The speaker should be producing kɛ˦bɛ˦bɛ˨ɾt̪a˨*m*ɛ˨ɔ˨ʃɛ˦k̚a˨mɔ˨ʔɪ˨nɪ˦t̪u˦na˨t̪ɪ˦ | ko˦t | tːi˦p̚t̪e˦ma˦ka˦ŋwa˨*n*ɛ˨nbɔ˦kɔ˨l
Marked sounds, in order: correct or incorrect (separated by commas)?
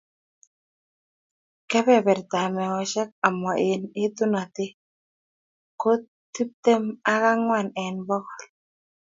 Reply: correct, correct